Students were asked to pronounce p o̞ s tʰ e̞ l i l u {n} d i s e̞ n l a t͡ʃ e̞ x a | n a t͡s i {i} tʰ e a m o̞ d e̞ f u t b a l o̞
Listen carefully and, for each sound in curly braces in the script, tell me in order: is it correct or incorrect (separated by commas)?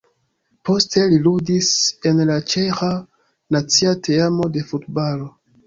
incorrect, incorrect